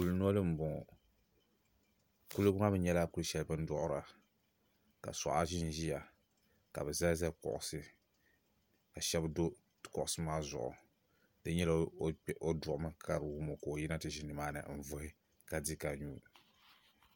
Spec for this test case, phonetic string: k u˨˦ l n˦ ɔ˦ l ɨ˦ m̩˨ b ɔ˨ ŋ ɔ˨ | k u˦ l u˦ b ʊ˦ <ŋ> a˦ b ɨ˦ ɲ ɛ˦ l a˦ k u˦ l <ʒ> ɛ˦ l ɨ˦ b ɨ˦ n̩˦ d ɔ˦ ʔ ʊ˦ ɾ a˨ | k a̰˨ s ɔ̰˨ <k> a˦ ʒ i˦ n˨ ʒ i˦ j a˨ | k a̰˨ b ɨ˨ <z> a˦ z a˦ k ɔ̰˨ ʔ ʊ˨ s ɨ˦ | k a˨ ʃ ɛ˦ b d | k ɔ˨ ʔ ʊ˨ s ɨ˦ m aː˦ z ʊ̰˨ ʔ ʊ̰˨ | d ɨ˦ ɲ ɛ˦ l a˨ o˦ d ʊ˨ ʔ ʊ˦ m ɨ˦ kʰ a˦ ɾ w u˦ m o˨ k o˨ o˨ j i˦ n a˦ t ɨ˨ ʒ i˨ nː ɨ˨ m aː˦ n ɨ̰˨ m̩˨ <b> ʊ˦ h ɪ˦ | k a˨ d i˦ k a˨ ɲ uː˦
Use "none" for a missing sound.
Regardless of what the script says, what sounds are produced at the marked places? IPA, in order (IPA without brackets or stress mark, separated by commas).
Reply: ŋ, ʃ, ʔ, z, v